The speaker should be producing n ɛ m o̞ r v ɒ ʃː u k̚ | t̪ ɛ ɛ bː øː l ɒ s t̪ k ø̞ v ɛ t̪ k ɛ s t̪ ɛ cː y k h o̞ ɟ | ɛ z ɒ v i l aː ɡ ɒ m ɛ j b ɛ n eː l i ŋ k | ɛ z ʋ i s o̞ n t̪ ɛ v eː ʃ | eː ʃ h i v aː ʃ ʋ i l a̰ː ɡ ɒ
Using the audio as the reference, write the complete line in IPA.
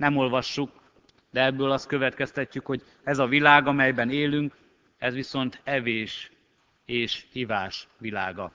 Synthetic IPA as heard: n ɛ m o̞ l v ɒ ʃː u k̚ | d̪ ɛ ɛ bː øː l ɒ s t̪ k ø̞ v ɛ t̪ k ɛ s t̪ ɛ cː y k h o̞ ɟ | ɛ z ɒ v i l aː ɡ ɒ m ɛ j b ɛ n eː l y ŋ k | ɛ z ʋ i s o̞ n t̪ ɛ v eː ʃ | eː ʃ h i v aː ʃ ʋ i l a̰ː ɡ ɒ